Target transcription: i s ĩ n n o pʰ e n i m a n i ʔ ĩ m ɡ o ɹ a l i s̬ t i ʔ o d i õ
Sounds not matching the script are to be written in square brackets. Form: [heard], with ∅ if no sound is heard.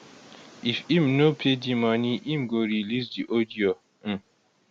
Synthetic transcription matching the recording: i [f] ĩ [m] n o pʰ e [d] i m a n i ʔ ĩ m ɡ o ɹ [i] l i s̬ [d] i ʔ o d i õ